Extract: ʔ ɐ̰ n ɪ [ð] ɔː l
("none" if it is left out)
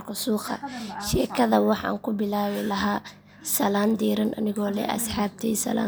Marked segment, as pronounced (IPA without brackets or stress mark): ɣ